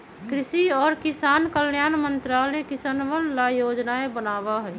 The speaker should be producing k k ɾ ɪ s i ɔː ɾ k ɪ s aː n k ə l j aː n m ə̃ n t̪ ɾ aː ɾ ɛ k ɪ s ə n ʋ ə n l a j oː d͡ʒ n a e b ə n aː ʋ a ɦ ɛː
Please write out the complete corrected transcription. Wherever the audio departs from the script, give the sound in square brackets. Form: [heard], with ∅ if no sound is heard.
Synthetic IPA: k k ɾ ɪ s i ɔː ɾ k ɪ s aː n k ə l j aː n m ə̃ n t̪ ɾ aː [l] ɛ k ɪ s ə n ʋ ə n l a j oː d͡ʒ n a e b ə n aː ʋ a ɦ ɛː